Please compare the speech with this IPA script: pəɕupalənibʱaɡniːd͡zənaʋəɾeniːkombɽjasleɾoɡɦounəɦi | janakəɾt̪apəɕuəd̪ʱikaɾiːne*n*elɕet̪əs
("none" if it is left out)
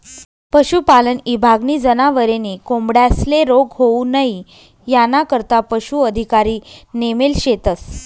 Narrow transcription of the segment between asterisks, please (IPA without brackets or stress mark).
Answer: m